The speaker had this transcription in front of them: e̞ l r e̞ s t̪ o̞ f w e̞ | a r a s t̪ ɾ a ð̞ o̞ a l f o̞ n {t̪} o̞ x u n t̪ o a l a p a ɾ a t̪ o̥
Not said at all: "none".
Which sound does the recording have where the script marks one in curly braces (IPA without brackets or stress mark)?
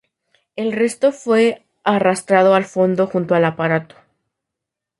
d̪